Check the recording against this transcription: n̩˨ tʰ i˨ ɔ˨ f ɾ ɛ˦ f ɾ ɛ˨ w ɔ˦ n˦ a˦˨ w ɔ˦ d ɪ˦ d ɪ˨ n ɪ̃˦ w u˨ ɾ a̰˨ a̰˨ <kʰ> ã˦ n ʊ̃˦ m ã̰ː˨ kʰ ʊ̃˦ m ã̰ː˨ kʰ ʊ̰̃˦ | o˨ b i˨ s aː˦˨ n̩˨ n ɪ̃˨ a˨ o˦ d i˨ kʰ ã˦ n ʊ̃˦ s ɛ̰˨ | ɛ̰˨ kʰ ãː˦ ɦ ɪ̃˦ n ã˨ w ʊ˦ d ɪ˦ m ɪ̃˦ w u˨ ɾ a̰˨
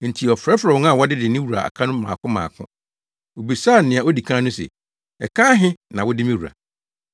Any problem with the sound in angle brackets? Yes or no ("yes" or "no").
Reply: no